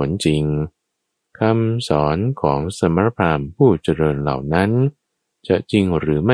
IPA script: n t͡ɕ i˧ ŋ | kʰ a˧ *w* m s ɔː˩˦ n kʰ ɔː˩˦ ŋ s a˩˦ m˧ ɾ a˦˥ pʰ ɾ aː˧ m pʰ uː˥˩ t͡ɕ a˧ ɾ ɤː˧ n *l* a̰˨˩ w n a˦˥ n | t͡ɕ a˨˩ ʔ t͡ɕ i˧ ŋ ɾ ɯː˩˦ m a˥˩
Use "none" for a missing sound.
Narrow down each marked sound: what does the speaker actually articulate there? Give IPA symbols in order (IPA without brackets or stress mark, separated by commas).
none, l